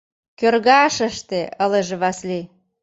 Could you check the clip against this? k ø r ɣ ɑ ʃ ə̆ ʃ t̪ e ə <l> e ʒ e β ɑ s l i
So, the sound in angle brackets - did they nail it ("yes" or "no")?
yes